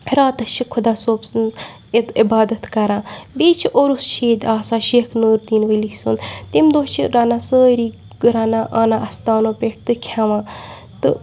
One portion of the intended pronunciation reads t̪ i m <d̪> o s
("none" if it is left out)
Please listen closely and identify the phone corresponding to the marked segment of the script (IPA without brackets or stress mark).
d̪